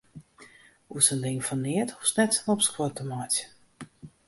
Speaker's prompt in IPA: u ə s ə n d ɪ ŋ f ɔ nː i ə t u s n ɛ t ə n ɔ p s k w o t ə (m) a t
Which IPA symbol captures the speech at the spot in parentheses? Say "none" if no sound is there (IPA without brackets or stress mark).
m